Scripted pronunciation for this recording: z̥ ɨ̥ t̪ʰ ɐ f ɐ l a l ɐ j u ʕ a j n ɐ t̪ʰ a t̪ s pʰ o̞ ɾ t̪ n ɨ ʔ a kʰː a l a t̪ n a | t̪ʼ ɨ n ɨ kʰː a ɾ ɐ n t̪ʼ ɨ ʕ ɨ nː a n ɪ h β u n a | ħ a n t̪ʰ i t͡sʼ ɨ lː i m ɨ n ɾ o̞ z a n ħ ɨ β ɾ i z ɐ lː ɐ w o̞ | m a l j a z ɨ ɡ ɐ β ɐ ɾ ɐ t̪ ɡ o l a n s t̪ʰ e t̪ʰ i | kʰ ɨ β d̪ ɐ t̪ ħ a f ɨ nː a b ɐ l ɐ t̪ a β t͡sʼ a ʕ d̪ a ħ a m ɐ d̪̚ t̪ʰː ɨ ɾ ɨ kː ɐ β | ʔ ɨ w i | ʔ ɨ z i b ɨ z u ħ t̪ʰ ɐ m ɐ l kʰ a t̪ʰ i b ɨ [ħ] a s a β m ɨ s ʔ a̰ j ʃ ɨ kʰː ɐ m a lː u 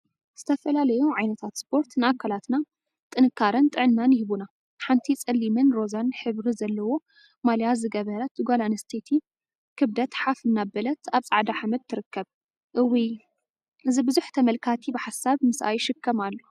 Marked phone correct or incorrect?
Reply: correct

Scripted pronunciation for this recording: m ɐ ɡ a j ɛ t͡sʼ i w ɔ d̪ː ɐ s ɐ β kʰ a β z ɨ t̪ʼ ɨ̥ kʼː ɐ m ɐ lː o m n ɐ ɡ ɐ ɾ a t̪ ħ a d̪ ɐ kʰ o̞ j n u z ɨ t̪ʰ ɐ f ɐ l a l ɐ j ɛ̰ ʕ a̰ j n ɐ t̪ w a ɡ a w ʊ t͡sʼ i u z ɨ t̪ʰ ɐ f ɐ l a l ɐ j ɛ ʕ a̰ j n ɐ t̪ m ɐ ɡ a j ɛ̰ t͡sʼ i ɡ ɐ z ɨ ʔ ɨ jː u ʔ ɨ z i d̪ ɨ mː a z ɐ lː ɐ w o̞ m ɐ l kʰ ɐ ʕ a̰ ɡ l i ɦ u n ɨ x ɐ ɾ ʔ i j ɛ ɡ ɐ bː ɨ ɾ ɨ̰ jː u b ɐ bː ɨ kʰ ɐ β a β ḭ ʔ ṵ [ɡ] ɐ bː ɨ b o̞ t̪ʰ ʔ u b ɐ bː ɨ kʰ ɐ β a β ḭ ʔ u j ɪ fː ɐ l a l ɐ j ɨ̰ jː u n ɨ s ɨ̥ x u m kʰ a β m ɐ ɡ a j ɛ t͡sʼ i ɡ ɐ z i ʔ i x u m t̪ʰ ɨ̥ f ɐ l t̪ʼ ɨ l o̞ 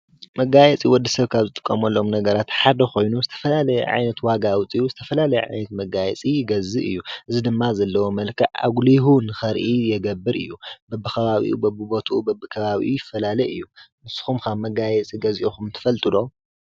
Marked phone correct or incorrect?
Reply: incorrect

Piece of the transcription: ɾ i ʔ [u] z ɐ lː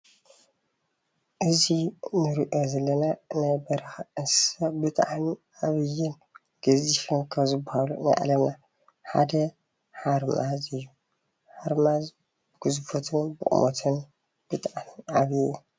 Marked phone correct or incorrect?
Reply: incorrect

